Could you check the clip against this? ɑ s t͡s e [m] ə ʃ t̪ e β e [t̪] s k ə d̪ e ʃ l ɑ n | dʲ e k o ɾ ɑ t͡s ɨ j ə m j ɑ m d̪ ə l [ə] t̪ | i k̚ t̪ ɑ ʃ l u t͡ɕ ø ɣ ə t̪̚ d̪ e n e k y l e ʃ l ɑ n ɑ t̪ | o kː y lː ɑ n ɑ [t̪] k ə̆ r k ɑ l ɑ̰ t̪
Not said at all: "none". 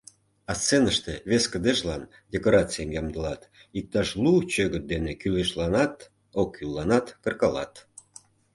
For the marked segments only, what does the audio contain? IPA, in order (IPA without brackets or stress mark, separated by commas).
n, none, ɑ, t̪